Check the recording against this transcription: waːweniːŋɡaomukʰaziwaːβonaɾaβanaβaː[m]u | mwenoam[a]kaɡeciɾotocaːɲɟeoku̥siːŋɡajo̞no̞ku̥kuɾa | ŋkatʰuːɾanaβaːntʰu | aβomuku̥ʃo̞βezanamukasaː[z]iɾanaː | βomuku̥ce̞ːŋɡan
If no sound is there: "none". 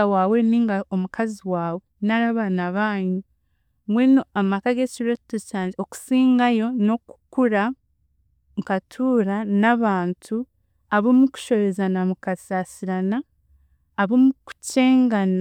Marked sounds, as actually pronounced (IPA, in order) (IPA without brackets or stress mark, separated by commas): ɲ, a, s